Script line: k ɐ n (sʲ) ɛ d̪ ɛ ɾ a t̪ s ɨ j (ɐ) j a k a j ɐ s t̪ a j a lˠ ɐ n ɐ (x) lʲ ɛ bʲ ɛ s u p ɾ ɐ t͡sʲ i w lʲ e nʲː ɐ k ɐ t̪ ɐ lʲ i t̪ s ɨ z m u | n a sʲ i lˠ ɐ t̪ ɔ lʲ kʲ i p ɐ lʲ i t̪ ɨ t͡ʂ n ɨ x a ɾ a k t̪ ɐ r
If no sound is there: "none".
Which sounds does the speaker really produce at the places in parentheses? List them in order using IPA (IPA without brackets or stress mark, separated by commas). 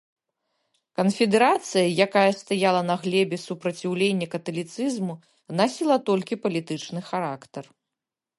fʲ, ɐ, ɣ